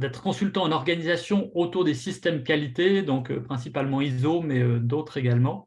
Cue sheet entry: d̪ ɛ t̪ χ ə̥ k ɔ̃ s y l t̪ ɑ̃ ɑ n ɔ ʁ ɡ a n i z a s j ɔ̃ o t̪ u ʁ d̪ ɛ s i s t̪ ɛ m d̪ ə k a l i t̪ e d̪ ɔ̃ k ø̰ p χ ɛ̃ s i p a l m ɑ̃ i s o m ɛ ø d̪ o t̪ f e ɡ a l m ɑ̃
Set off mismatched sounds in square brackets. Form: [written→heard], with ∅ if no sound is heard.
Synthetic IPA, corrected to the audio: d̪ ɛ t̪ χ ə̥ k ɔ̃ s y l t̪ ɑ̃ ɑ n ɔ ʁ ɡ a n i z a s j ɔ̃ o t̪ u ʁ d̪ [ɛ→e] s i s t̪ ɛ m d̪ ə k a l i t̪ e d̪ ɔ̃ k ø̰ p χ ɛ̃ s i p a l m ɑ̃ i [s→z] o m ɛ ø d̪ o t̪ [f→χ] e ɡ a l m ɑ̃